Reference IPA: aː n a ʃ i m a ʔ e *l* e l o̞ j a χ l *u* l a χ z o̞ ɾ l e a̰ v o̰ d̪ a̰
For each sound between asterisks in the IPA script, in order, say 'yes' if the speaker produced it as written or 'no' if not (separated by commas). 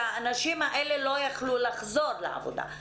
yes, yes